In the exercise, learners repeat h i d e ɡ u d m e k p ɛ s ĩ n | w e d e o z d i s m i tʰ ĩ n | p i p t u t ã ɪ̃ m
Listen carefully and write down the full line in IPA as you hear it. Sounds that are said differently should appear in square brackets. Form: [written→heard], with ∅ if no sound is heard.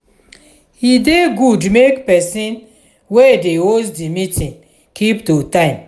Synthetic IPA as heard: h i d e ɡ u d m e k p ɛ s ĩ n | w e d e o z d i [s→∅] m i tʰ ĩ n | [p→k] i p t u t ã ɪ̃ m

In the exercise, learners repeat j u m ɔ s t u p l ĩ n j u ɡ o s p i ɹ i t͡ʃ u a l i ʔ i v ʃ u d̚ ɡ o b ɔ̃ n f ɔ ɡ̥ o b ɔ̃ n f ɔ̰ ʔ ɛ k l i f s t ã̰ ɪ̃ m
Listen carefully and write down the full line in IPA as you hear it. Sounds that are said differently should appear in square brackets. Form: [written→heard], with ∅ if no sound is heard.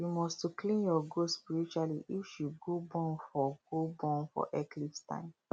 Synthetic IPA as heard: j u m ɔ s t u [p→k] l ĩ n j [u→ɔ] ɡ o s p i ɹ i t͡ʃ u a l i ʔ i [v→f] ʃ u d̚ ɡ o b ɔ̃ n f ɔ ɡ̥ o b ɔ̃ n f ɔ̰ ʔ ɛ k l i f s t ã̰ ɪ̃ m

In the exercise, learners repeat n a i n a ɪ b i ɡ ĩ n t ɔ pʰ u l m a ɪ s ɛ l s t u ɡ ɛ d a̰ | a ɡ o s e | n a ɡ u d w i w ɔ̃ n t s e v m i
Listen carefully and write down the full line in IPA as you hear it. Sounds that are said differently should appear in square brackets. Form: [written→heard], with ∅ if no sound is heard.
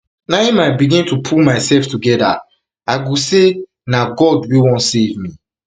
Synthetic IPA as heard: n a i [n→m] a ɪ b i ɡ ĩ n t [ɔ→u] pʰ u l m a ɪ s ɛ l [s→f] t u ɡ ɛ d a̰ | a ɡ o s e | n a ɡ [u→ɔ] d w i w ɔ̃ n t s e v m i

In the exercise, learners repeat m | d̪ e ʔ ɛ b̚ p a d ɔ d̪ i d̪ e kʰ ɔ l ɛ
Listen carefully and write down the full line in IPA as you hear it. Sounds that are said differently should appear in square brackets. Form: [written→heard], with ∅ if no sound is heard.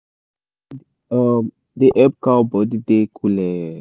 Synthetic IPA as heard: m | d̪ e ʔ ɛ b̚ [p→k] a [d→b] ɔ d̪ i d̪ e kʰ [ɔ→u] l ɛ

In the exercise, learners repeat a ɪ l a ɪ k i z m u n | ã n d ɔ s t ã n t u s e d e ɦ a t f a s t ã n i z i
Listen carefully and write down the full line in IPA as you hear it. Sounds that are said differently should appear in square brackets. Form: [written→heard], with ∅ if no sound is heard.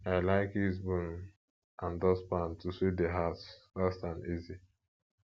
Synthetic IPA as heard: a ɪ l a ɪ k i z [m→b] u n | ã n d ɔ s [t→p] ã n t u s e d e ɦ a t f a s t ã n i z i

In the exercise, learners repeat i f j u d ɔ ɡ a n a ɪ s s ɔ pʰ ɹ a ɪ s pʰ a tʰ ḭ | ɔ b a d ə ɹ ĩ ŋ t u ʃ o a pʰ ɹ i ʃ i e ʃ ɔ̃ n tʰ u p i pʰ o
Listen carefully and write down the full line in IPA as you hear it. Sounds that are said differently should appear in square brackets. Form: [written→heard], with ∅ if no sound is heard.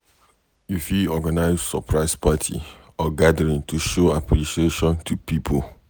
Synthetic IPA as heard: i f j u [d→∅] ɔ ɡ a n a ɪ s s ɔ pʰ ɹ a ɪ s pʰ a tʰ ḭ | ɔ [b→ɡ] a d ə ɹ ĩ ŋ t u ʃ o a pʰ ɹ i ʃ i e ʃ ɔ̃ n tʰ u p i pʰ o

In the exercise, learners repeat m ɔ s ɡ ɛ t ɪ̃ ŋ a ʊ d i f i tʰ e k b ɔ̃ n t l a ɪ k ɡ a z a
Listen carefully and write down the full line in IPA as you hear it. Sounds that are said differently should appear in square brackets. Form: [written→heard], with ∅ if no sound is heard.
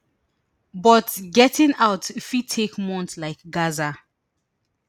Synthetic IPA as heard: [m→b] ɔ [s→t] ɡ ɛ t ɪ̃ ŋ a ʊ [d→t] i f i tʰ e k [b→m] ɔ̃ n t l a ɪ k ɡ a z a

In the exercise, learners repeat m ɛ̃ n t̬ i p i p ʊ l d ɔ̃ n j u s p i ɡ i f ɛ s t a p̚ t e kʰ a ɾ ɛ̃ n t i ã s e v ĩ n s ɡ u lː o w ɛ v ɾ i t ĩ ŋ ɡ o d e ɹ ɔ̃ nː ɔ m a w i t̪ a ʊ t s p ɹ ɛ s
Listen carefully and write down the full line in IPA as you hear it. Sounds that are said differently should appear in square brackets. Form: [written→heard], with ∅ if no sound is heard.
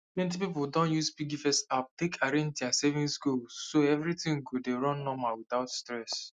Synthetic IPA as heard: m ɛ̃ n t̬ i p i p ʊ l d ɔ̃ n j u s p i ɡ i f ɛ s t a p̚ t e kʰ a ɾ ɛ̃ n t i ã s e v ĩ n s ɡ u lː o [w→∅] ɛ v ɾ i t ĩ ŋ ɡ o d e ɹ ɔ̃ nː ɔ m a w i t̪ a ʊ t s [p→t] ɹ ɛ s

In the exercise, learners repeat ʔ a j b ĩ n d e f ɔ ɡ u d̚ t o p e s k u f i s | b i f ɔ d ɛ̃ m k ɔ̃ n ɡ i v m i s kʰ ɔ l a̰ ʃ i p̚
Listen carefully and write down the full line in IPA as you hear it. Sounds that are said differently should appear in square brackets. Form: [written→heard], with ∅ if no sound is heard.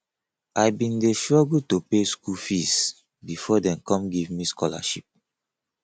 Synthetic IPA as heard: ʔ a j b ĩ n d e [f→ʃ] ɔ ɡ u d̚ t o p e s k u f i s | b i f ɔ d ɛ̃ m k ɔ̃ [n→m] ɡ i v m i s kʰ ɔ l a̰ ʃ i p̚

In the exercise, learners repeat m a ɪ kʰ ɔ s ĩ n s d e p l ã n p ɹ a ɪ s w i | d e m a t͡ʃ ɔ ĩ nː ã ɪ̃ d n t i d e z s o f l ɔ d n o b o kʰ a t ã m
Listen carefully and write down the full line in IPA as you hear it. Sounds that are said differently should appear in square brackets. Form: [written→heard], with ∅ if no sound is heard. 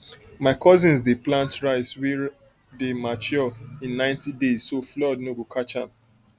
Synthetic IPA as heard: m a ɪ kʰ ɔ [s→z] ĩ n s d e p l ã n [p→t] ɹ a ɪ s w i | d e m a t͡ʃ ɔ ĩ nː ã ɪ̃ [d→∅] n t i d e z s o f l ɔ d n o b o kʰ a [t→t͡ʃ] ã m

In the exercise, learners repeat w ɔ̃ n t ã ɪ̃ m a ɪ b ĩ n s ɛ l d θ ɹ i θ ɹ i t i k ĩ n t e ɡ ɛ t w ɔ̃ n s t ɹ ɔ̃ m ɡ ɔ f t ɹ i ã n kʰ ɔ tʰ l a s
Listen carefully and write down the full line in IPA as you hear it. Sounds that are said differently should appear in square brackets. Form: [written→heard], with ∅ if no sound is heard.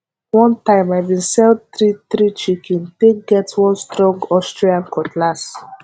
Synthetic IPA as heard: w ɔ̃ n t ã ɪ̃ m a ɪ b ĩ n s ɛ l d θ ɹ i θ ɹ i [t→t͡ʃ] i k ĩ n t e ɡ ɛ t w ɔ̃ n s t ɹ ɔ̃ [m→ŋ] ɡ ɔ [f→s] t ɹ i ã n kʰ ɔ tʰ l a s

